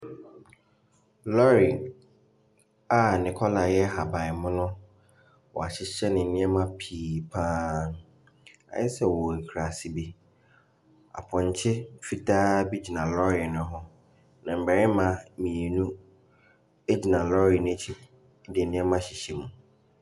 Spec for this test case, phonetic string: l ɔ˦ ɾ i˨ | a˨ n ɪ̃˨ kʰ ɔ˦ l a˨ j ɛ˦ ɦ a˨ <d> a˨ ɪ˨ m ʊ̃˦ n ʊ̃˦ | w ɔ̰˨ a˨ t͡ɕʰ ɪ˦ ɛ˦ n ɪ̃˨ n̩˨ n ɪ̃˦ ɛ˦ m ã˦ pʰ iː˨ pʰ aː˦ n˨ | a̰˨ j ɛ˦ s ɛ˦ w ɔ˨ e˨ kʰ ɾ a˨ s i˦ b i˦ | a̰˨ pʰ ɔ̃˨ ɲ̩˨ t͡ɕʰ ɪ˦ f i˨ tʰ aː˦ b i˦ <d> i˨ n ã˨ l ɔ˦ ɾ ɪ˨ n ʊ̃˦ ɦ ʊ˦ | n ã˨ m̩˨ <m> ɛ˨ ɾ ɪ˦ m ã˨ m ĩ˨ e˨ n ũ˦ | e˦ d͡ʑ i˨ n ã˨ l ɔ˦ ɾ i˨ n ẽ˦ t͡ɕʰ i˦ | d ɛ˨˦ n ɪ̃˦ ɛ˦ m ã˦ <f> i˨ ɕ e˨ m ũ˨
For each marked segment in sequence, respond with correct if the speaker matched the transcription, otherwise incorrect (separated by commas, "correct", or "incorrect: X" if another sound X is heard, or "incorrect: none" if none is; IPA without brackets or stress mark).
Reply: incorrect: b, incorrect: d͡ʑ, incorrect: b, incorrect: ɕ